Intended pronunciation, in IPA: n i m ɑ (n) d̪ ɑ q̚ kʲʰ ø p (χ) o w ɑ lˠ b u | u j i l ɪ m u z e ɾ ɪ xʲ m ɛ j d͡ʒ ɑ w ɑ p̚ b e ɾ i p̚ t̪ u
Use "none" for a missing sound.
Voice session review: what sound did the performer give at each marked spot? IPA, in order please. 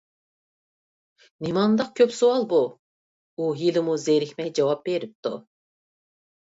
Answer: n, s

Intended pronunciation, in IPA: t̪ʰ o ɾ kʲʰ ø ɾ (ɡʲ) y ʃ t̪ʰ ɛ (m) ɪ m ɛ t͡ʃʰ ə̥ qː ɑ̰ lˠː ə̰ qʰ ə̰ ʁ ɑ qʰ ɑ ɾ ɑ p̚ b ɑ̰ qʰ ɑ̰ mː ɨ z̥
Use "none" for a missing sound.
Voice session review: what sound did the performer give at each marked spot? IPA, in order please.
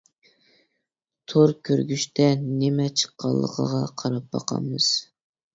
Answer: ɡʲ, n

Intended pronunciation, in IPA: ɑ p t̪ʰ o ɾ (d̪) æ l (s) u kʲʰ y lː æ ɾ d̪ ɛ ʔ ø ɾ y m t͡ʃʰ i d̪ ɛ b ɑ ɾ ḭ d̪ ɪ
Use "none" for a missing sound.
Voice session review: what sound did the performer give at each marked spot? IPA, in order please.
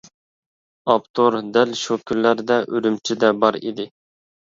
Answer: d̪, ʃ

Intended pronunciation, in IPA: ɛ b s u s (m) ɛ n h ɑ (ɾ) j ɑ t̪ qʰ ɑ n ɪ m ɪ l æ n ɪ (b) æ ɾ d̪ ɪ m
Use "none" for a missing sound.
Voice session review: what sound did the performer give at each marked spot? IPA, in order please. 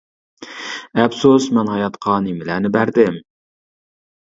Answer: m, none, b

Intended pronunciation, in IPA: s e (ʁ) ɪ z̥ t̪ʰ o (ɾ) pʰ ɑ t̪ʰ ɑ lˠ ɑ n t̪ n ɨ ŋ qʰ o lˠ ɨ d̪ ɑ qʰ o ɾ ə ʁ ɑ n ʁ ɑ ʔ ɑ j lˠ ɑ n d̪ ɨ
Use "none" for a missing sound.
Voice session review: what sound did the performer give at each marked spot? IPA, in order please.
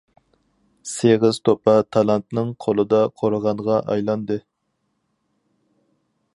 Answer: ʁ, none

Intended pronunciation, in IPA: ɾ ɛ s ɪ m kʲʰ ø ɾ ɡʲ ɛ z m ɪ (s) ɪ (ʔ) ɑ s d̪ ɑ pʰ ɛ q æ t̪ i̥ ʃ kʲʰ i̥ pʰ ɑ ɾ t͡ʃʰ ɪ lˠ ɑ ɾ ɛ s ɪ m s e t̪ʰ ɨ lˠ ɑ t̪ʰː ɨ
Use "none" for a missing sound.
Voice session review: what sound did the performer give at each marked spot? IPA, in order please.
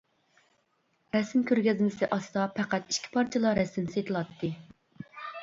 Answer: s, ʔ

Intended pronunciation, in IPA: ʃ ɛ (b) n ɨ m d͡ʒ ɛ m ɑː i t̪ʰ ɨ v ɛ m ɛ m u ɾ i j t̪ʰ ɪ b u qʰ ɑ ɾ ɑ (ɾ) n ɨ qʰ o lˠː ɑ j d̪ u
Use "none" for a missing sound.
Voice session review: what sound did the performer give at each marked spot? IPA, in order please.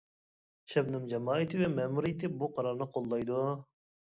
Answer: b, ɾ

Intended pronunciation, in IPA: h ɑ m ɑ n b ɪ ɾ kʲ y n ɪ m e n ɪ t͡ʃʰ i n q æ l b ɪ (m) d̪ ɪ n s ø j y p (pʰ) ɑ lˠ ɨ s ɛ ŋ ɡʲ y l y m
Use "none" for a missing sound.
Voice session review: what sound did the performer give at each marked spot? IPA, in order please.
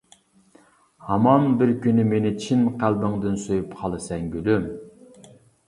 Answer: ŋ, qʰ

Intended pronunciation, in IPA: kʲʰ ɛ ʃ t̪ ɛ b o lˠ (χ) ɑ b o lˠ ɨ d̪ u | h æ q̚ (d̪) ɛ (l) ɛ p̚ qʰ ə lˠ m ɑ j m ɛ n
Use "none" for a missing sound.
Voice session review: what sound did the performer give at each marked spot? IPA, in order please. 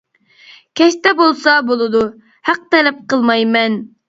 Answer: s, t̪, l

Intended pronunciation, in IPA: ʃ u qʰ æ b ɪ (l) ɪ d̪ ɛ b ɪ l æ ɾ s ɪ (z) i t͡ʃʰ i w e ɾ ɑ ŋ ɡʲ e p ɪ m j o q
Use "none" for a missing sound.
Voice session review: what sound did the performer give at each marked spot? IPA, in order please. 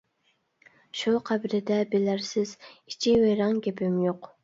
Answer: ɾ, z

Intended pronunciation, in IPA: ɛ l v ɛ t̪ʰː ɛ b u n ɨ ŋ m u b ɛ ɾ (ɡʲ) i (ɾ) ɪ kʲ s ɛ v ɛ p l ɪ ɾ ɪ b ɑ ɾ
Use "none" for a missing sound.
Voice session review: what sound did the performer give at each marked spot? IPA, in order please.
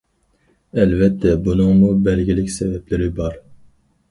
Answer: ɡʲ, l

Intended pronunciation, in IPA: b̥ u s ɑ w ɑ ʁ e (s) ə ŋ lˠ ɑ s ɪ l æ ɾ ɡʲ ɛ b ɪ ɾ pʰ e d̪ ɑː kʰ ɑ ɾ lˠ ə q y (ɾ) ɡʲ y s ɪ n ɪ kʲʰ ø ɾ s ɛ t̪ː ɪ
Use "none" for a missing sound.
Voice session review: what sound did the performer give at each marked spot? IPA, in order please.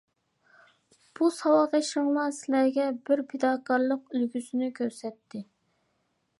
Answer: ʃ, l

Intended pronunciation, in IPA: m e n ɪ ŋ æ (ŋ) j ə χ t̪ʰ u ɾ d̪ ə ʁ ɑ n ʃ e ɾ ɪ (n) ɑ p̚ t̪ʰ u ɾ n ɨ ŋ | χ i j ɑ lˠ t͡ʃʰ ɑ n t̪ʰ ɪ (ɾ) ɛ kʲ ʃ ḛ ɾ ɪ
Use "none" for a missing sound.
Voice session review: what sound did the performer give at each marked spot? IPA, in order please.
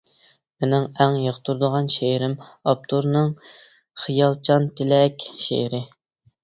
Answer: ŋ, m, l

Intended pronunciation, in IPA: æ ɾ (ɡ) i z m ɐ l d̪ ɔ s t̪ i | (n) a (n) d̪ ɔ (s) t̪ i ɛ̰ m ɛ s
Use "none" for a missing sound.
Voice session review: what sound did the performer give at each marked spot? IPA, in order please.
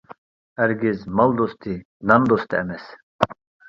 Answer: ɡ, n, n, s

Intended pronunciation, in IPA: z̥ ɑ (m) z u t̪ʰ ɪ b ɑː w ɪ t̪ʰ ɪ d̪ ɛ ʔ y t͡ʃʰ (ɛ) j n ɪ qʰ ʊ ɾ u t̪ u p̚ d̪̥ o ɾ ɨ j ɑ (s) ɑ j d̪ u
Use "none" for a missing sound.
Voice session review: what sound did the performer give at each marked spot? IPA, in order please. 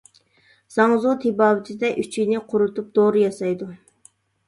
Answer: ŋ, i, s

